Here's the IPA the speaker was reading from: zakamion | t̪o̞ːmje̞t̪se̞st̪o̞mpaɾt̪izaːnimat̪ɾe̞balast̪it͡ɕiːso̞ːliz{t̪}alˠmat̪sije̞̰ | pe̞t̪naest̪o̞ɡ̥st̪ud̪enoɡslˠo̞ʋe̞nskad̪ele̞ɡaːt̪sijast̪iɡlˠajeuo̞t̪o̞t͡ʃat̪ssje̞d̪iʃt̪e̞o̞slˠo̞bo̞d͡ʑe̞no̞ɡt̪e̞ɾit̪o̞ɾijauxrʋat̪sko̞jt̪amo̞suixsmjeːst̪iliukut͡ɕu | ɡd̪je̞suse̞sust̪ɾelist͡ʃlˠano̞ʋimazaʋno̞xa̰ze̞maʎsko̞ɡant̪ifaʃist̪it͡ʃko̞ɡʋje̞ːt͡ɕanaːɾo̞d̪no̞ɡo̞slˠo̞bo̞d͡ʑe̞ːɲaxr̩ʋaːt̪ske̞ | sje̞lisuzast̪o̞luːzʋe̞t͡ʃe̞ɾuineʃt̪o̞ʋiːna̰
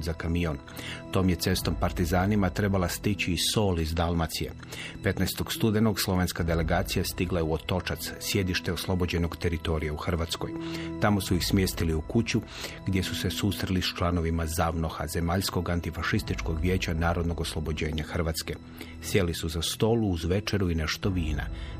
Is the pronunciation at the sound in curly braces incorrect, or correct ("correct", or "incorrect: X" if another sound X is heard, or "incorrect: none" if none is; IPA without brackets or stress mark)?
incorrect: d̪